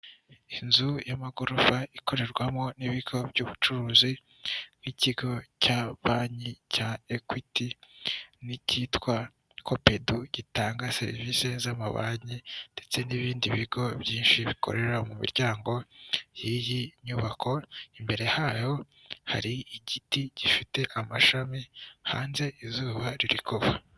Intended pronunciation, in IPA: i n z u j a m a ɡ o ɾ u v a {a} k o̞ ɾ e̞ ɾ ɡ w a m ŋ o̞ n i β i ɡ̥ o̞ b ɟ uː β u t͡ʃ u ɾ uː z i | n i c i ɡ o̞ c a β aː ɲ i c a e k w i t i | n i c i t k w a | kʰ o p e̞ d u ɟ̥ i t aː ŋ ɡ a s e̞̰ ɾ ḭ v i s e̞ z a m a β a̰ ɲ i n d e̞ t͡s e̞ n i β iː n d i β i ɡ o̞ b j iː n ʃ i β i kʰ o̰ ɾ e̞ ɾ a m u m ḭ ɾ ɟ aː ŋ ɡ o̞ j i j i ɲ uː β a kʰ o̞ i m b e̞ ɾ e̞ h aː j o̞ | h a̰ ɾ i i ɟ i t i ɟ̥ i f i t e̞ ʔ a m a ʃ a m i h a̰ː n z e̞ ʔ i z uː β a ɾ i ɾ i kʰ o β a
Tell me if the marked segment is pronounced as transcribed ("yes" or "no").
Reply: no